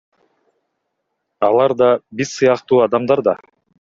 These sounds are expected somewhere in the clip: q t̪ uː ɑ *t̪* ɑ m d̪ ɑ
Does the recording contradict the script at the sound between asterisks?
yes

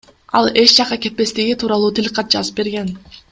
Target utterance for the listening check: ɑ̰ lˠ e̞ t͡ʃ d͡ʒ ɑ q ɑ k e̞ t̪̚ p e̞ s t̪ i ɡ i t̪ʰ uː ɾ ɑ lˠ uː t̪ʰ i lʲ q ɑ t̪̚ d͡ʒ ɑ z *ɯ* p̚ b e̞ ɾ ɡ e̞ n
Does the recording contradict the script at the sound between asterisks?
no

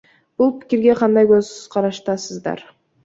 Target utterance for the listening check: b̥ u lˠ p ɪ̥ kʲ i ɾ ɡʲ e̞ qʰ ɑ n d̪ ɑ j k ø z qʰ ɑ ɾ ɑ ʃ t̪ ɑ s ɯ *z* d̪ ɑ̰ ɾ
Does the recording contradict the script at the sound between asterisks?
no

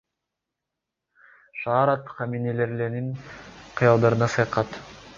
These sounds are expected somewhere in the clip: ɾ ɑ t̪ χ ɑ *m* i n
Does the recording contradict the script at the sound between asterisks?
no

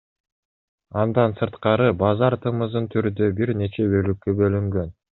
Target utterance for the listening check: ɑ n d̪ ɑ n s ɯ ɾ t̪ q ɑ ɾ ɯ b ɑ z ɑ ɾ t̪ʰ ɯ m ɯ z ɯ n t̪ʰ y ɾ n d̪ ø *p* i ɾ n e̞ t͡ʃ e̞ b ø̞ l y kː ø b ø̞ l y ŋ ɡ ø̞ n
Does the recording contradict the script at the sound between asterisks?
yes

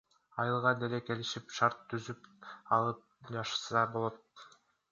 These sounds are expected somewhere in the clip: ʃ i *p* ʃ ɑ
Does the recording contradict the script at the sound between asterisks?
no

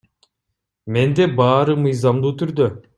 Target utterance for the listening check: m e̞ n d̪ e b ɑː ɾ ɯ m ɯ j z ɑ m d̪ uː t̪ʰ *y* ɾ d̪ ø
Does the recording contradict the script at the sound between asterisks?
no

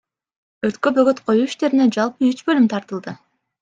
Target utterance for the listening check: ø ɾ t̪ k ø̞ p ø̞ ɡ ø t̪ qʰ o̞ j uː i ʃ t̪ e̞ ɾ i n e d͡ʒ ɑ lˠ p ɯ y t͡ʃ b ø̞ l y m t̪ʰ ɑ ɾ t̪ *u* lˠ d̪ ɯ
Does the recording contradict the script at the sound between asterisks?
yes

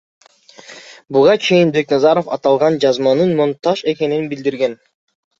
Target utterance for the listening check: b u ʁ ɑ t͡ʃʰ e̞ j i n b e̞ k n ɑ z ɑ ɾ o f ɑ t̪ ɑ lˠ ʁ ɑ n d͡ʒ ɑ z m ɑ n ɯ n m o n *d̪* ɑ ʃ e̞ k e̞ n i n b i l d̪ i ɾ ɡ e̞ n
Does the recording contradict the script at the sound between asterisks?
yes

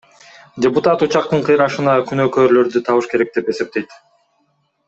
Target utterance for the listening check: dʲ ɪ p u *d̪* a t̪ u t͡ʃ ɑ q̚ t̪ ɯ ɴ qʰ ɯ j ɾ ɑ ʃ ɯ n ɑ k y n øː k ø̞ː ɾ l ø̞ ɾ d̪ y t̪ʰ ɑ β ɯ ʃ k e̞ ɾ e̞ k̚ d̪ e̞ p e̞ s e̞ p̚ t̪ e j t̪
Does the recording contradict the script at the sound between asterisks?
yes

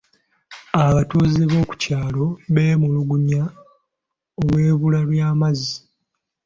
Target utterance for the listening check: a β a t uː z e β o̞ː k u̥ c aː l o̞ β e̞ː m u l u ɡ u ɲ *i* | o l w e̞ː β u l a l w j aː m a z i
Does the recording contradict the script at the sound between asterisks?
yes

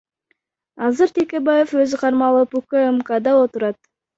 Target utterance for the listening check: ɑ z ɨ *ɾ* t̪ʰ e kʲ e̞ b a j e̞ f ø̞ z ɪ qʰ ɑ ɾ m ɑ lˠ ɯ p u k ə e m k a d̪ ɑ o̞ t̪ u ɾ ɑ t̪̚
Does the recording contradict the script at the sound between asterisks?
no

